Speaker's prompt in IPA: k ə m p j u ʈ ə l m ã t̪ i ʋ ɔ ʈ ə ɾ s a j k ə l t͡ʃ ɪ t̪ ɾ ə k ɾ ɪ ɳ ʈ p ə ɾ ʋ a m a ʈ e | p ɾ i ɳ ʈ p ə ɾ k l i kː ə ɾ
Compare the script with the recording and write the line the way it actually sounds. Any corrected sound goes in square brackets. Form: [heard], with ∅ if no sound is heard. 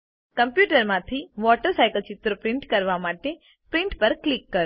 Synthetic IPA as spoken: k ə m p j u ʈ ə [ɾ] m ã [t̪ʰ] i ʋ ɔ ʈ ə ɾ s a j k ə l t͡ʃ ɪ t̪ ɾ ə [p] ɾ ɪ ɳ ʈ [k] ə ɾ ʋ a m a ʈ e | p ɾ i ɳ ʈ p ə ɾ k l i kː ə ɾ